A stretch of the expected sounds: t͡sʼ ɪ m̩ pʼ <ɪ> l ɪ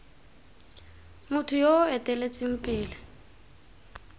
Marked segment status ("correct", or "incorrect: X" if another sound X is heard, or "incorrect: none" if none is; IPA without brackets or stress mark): incorrect: ɪː